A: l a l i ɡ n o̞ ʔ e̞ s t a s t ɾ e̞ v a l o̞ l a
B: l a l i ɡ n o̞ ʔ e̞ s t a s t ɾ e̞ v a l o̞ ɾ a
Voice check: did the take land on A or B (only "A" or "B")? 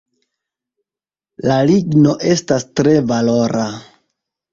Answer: B